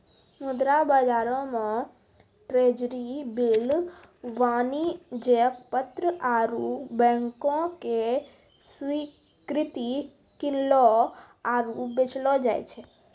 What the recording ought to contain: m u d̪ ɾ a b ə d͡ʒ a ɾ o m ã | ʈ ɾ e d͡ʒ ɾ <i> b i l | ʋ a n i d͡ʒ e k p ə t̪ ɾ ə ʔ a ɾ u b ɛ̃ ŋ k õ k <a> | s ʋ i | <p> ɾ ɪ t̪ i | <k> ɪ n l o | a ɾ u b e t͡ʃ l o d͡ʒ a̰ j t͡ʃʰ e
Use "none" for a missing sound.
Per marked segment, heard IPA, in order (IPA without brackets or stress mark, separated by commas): i, e, k, k